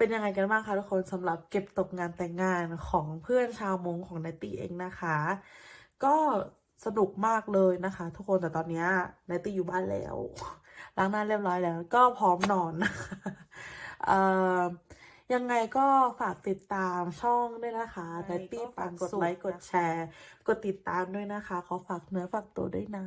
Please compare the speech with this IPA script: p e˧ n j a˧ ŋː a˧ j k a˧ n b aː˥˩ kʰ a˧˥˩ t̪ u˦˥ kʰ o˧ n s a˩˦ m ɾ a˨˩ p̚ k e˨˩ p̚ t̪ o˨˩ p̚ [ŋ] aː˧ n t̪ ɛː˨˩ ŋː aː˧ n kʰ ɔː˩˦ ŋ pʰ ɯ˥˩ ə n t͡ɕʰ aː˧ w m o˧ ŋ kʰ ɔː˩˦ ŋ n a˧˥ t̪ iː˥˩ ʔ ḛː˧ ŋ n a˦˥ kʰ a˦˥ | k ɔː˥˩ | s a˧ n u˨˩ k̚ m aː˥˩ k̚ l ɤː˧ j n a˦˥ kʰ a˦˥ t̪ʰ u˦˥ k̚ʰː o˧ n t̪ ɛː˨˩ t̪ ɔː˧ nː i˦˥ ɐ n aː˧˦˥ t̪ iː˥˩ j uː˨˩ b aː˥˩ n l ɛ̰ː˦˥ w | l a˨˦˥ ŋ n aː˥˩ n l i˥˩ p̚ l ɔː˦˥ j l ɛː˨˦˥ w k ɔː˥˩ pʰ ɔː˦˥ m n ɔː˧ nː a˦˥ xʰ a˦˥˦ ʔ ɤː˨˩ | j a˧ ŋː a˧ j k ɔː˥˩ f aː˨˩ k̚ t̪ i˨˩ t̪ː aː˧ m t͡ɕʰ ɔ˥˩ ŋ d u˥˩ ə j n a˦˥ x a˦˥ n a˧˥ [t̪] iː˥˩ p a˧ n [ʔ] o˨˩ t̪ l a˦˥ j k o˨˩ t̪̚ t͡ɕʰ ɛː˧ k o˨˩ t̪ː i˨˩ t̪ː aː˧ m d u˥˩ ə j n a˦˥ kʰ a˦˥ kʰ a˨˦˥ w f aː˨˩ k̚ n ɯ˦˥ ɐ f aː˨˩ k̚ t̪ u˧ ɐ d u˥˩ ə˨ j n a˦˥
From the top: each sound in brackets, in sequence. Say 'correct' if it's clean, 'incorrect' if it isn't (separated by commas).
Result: correct, correct, incorrect